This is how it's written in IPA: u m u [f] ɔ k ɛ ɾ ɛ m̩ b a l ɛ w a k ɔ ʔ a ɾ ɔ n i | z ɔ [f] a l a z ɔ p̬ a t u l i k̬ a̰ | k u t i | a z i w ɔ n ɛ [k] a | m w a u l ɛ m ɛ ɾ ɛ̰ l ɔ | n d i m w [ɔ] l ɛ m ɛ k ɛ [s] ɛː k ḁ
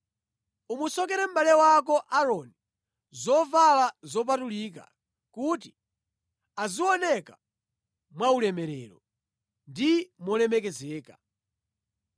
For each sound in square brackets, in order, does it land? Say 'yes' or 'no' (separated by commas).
no, no, yes, yes, no